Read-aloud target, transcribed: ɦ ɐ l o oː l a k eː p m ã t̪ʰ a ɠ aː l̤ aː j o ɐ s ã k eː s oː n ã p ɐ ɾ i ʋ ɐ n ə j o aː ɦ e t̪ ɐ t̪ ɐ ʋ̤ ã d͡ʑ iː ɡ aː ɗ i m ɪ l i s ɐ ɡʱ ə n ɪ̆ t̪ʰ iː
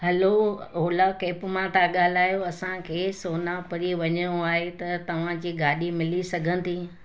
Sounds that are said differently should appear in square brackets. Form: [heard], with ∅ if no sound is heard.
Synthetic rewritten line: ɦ ɐ l o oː l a k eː p m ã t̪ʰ a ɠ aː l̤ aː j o ɐ s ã [kʰ] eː s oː n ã p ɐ ɾ i ʋ ɐ [ɲ] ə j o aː ɦ e t̪ ɐ t̪ ɐ ʋ̤ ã d͡ʑ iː ɡ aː ɗ i m ɪ l i s ɐ ɡʱ ə n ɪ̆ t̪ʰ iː

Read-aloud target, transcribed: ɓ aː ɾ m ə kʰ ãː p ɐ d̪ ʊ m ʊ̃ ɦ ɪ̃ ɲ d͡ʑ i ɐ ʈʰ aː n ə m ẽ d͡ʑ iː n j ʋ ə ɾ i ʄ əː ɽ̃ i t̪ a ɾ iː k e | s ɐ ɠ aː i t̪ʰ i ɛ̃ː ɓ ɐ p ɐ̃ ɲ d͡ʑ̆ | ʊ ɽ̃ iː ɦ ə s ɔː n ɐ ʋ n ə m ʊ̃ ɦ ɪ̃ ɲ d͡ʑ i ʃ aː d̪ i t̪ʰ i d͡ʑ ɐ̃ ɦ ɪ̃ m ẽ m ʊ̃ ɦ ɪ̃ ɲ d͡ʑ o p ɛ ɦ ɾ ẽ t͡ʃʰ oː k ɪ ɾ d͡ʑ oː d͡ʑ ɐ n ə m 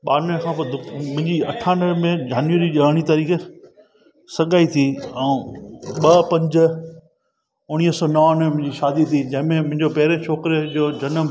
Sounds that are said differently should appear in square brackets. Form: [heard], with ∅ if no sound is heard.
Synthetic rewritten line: ɓ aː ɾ [n] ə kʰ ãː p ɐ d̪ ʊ m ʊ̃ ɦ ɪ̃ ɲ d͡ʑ i ɐ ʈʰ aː n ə m ẽ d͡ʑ [aː] n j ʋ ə ɾ i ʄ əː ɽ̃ i t̪ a ɾ iː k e | s ɐ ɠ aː i t̪ʰ i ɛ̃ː ɓ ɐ p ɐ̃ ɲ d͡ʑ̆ | ʊ ɽ̃ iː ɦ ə s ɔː n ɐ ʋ n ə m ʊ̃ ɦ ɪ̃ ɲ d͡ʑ i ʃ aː d̪ i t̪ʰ i d͡ʑ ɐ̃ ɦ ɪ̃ m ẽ m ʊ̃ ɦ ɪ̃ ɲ d͡ʑ o p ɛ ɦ ɾ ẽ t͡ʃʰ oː k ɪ ɾ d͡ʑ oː d͡ʑ ɐ n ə m

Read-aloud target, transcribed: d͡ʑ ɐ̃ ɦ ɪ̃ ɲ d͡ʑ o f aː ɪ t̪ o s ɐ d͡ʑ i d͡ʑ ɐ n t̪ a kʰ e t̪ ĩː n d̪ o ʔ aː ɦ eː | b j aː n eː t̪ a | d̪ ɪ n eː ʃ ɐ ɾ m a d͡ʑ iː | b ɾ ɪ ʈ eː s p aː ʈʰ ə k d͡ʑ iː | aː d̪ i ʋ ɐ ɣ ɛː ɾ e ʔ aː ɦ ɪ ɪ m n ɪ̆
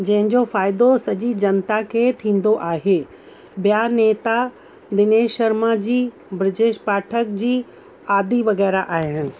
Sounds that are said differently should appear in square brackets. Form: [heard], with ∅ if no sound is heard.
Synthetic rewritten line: d͡ʑ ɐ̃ ɦ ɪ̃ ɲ d͡ʑ o f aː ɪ [d̪] o s ɐ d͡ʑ i d͡ʑ ɐ n t̪ a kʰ e [t̪ʰ] ĩː n d̪ o ʔ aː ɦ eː | b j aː n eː t̪ a | d̪ ɪ n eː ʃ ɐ ɾ m a d͡ʑ iː | b ɾ ɪ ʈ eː [ʃ] p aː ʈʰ ə k d͡ʑ iː | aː d̪ i ʋ ɐ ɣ ɛː ɾ [a] ʔ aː ɦ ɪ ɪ [∅] n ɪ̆

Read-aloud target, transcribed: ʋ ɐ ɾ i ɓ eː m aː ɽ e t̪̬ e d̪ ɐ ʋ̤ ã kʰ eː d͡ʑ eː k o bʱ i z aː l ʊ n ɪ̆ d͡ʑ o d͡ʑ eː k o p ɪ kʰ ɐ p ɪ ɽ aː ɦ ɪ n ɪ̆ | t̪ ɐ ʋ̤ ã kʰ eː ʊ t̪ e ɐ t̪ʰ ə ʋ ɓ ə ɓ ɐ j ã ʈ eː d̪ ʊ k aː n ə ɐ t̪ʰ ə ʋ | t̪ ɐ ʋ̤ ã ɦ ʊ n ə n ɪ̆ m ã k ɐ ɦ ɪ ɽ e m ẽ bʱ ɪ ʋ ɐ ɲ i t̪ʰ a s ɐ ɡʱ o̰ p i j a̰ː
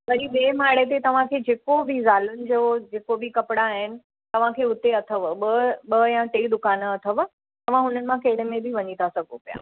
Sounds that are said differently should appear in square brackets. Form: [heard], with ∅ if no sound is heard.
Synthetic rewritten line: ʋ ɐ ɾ i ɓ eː m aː ɽ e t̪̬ e [t̪] ɐ ʋ̤ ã kʰ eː d͡ʑ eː k o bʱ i z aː l ʊ n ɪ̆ d͡ʑ o d͡ʑ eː k o [b] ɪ [k] ɐ p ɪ ɽ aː ɦ ɪ n ɪ̆ | t̪ ɐ ʋ̤ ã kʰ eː ʊ t̪ e ɐ t̪ʰ ə ʋ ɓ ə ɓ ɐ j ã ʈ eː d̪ ʊ k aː n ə ɐ t̪ʰ ə ʋ | t̪ ɐ ʋ̤ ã ɦ ʊ n ə n ɪ̆ m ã k ɐ ɦ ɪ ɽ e m ẽ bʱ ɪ ʋ ɐ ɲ i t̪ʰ a s ɐ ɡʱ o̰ p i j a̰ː

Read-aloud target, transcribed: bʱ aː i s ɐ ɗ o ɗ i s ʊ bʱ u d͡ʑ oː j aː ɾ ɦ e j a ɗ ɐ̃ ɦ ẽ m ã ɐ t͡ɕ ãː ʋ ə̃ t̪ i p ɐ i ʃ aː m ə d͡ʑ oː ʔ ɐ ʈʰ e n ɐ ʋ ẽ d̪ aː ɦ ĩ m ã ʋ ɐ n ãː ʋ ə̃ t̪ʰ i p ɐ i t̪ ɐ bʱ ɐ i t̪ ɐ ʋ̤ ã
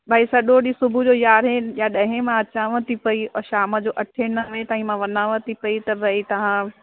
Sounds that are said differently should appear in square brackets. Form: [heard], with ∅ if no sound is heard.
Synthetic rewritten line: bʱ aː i s ɐ ɗ o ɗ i s ʊ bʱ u d͡ʑ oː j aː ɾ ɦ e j a ɗ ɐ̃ ɦ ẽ m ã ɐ t͡ɕ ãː ʋ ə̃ t̪ i p ɐ i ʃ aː m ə d͡ʑ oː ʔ ɐ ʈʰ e n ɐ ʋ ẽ [t̪] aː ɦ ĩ m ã ʋ ɐ n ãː ʋ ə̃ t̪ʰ i p ɐ i t̪ ɐ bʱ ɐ i t̪ ɐ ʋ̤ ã

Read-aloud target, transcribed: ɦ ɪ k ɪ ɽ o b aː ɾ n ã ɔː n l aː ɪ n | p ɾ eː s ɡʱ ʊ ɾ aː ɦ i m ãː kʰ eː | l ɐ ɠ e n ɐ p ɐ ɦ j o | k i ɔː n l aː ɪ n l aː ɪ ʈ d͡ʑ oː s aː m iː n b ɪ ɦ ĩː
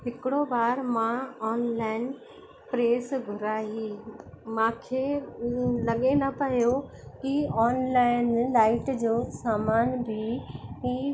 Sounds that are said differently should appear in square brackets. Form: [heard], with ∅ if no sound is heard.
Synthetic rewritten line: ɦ ɪ k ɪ ɽ o b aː ɾ [m] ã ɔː n l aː ɪ n | p ɾ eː s ɡʱ ʊ ɾ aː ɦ i m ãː kʰ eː | l ɐ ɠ e n ɐ p ɐ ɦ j o | k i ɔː n l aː ɪ n l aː ɪ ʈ d͡ʑ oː s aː m [aː] n b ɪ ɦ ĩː

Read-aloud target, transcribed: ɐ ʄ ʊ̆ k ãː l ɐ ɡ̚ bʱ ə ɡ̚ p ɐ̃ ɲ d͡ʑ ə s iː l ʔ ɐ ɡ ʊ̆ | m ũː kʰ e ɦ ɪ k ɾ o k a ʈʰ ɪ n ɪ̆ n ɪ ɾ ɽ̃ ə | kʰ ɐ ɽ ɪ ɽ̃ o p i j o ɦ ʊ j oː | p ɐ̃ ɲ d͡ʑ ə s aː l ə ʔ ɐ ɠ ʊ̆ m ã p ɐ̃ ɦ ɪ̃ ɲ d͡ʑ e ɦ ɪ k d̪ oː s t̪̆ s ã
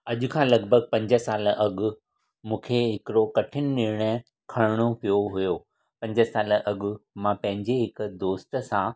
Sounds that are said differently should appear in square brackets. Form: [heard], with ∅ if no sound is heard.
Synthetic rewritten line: ɐ ʄ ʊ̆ [kʰ] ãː l ɐ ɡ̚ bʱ ə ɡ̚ p ɐ̃ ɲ d͡ʑ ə s [aː] l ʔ ɐ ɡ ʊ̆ | m ũː kʰ e ɦ ɪ k ɾ o k [ɐ] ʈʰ ɪ n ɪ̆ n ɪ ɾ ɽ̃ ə | kʰ ɐ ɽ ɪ ɽ̃ o p i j o ɦ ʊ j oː | p ɐ̃ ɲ d͡ʑ ə s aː l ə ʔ ɐ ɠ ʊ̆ m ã p ɐ̃ ɦ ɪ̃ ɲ d͡ʑ e ɦ ɪ k d̪ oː s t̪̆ s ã

